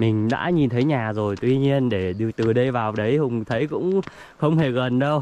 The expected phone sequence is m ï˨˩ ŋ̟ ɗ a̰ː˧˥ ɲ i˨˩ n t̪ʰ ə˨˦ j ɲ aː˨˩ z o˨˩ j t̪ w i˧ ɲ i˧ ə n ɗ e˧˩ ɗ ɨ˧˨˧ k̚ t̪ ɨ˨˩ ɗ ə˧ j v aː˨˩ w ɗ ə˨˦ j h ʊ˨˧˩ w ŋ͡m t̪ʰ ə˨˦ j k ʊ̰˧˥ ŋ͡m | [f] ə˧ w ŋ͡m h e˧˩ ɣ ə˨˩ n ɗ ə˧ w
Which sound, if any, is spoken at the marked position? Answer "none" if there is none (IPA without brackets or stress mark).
x